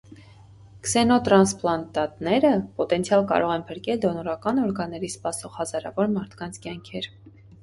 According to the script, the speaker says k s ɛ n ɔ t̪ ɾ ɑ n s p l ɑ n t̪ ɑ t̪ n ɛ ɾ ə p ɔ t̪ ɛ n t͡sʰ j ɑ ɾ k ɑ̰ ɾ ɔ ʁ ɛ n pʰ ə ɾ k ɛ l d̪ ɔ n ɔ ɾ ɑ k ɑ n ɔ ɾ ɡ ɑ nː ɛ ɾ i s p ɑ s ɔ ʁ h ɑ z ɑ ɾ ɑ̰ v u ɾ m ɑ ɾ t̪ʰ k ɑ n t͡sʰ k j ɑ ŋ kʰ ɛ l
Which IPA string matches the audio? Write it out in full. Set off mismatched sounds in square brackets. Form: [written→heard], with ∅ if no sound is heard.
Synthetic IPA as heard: k s ɛ n ɔ t̪ ɾ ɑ n s p l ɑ n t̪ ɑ t̪ n ɛ ɾ ə p ɔ t̪ ɛ n t͡sʰ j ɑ [ɾ→l] k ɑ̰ ɾ ɔ ʁ ɛ n pʰ ə ɾ k ɛ l d̪ ɔ n ɔ ɾ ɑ k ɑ n ɔ ɾ ɡ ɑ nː ɛ ɾ i s p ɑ s ɔ ʁ h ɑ z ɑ ɾ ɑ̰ v [u→ɔ] ɾ m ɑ ɾ t̪ʰ k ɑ n t͡sʰ k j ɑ ŋ kʰ ɛ [l→ɾ]

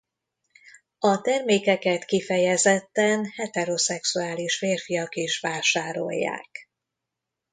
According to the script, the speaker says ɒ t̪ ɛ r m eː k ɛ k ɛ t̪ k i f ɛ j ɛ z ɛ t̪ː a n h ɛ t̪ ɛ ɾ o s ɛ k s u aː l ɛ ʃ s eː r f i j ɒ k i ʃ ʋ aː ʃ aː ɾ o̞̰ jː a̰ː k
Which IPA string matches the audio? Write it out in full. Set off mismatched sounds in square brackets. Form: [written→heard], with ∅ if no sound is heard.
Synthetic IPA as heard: ɒ t̪ ɛ r m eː k ɛ k ɛ t̪ k i f ɛ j ɛ z ɛ t̪ː [a→ɛ] n h ɛ t̪ ɛ ɾ o s ɛ k s u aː l [ɛ→i] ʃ [s→f] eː r f i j ɒ k i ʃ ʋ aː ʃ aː ɾ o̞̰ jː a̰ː k

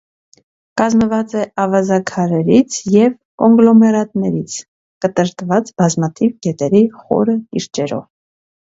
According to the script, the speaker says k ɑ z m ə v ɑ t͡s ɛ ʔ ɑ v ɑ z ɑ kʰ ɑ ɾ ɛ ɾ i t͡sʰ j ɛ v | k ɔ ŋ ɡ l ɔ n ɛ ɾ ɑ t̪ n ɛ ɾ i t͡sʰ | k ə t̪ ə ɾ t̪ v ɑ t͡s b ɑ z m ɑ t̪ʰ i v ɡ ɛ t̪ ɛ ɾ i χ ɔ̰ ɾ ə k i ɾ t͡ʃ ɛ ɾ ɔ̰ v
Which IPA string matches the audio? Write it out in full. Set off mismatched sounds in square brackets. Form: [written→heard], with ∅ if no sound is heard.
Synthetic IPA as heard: k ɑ z m ə v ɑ t͡s ɛ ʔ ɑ v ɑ z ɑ kʰ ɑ ɾ ɛ ɾ i t͡sʰ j ɛ v | k ɔ ŋ ɡ l ɔ [n→m] ɛ ɾ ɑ t̪ n ɛ ɾ i t͡sʰ | k ə t̪ ə ɾ t̪ v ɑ t͡s b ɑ z m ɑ t̪ʰ i v ɡ ɛ t̪ ɛ ɾ i χ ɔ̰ ɾ ə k i ɾ t͡ʃ ɛ ɾ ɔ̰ v

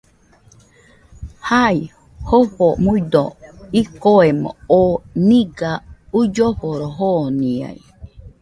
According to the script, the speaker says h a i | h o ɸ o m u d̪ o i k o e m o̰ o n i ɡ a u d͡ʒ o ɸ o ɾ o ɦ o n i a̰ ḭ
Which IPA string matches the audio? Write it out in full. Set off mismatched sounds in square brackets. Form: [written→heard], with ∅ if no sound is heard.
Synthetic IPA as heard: h a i | h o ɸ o m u d̪ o i k o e m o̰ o n i ɡ a u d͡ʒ o ɸ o ɾ o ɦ o n i a̰ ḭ

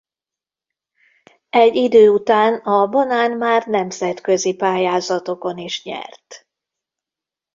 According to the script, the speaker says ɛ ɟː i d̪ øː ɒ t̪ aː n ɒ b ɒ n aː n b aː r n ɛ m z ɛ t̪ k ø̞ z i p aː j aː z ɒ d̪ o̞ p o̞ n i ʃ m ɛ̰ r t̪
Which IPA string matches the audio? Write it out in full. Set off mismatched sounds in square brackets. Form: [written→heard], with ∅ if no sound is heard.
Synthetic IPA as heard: ɛ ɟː i d̪ øː [ɒ→u] t̪ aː n ɒ b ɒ n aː n [b→m] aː r n ɛ m z ɛ t̪ k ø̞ z i p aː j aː z ɒ [d̪→t̪] o̞ [p→k] o̞ n i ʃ [m→ɲ] ɛ̰ r t̪

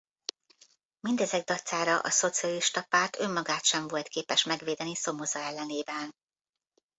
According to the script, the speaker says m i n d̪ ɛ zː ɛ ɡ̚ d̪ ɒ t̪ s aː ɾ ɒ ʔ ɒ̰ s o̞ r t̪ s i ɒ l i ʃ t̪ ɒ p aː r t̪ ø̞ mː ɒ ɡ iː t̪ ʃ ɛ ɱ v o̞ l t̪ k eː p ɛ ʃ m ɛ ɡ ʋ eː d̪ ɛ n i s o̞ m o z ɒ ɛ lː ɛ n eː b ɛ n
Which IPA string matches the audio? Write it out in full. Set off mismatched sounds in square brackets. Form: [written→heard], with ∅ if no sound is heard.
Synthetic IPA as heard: m i n d̪ ɛ [zː→z] ɛ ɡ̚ d̪ ɒ t̪ s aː ɾ ɒ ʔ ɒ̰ s o̞ [r→∅] t̪ s i ɒ l i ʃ t̪ ɒ p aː r t̪ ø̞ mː ɒ ɡ [iː→aː] t̪ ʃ ɛ ɱ v o̞ l t̪ k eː p ɛ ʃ m ɛ ɡ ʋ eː d̪ ɛ n i s o̞ m o z ɒ ɛ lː ɛ n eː b ɛ n

